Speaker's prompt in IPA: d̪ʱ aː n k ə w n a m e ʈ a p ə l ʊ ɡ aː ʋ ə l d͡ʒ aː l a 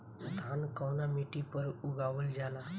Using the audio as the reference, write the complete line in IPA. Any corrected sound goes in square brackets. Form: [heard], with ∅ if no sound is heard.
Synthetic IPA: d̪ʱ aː n k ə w n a m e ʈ [i] p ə [ɾ] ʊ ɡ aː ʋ ə l d͡ʒ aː l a